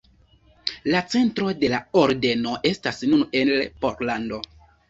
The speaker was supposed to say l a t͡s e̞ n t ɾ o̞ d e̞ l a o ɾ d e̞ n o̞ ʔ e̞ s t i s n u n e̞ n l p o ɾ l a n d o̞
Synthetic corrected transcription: l a t͡s e̞ n t ɾ o̞ d e̞ l a o ɾ d e̞ n o̞ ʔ e̞ s t a s n u n e̞ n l p o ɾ l a n d o̞